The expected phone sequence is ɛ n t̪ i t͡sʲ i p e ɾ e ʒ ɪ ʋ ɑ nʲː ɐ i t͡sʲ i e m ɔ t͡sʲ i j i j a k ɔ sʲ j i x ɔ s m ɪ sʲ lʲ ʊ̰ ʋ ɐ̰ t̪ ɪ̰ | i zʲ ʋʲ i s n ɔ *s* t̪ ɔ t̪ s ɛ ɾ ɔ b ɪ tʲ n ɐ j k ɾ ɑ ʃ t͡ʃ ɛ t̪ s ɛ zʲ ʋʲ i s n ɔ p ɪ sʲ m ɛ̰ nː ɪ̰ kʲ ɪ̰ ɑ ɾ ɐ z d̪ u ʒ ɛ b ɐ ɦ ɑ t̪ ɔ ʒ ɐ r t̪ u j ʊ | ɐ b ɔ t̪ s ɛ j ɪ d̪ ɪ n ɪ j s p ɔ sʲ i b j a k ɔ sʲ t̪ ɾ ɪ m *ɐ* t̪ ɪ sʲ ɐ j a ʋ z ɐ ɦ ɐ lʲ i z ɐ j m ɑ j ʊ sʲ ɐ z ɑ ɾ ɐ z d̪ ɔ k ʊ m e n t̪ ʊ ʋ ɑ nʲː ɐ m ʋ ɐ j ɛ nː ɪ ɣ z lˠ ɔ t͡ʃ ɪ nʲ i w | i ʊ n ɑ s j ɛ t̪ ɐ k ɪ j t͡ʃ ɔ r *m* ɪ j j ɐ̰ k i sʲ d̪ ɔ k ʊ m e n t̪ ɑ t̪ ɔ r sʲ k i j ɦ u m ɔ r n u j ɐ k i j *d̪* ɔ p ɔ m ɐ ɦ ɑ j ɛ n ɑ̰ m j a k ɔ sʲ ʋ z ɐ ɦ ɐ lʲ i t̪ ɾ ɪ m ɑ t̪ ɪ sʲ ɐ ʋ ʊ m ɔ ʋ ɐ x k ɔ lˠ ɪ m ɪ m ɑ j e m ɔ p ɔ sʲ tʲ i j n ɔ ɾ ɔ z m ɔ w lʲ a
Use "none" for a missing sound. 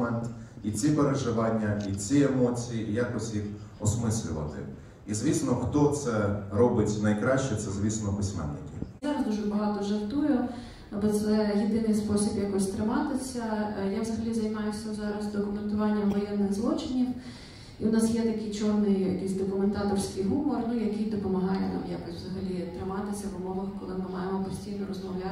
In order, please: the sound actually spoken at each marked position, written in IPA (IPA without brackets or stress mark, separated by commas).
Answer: x, ɑ, n, d̪